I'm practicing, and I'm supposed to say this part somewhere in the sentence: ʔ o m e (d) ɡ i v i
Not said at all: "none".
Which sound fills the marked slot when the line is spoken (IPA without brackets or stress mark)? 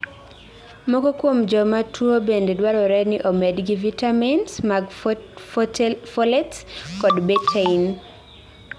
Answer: d